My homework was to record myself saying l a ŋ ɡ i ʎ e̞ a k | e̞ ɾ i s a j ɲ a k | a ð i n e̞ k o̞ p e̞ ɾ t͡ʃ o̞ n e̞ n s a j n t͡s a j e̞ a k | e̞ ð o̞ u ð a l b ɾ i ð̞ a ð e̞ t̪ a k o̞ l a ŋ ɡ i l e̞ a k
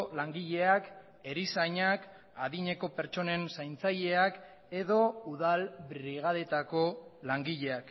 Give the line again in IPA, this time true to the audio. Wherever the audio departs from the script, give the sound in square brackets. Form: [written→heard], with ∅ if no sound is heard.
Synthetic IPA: l a ŋ ɡ i ʎ e̞ a k | e̞ ɾ i s a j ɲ a k | a ð i [n→ɲ] e̞ k o̞ p e̞ ɾ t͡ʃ o̞ n e̞ n s a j n t͡s a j e̞ a k | e̞ ð o̞ u ð a l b ɾ i [ð̞→ɣ̞] a ð e̞ t̪ a k o̞ l a ŋ ɡ i [l→ʎ] e̞ a k